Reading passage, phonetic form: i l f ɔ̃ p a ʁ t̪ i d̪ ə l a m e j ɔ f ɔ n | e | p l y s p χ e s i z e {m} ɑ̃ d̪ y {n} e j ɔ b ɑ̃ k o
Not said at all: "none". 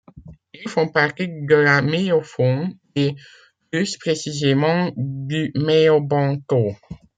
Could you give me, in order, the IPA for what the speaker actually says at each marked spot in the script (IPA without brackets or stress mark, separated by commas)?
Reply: m, m